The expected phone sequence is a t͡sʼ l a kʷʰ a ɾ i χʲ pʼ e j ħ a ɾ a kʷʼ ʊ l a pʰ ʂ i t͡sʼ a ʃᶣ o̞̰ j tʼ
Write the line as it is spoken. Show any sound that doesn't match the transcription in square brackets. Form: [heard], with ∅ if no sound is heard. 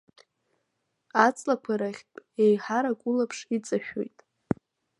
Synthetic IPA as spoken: a t͡sʼ l a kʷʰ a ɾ [a] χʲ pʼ e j ħ a ɾ a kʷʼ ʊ l a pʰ ʂ i t͡sʼ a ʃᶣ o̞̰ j tʼ